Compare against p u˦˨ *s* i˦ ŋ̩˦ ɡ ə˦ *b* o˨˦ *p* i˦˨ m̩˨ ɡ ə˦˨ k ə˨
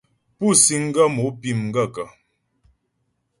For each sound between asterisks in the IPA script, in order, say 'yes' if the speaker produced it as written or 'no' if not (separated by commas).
yes, no, yes